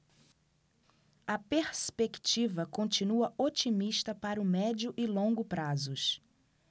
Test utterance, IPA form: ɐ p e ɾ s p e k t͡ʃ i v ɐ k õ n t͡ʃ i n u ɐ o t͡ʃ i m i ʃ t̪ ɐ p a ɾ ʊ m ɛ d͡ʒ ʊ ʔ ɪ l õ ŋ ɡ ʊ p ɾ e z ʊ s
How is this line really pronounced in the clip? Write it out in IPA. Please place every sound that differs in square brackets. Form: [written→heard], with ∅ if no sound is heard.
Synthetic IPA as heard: ɐ p e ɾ s p e k t͡ʃ i v ɐ k õ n t͡ʃ i n u ɐ o t͡ʃ i m i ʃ t̪ ɐ p a ɾ ʊ m ɛ d͡ʒ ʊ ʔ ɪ l õ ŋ ɡ ʊ p ɾ [e→a] z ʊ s